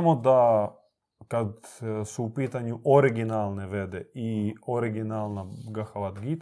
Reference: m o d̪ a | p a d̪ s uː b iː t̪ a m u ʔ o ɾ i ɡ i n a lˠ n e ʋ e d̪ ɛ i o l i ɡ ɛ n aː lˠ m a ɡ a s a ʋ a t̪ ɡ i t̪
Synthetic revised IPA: m o d̪ a | k a d̪ s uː p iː t̪ a ɲ u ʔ o ɾ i ɡ i n a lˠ n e ʋ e d̪ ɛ i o ɾ i ɡ i n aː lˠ n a ɡ a x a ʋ a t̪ ɡ i t̪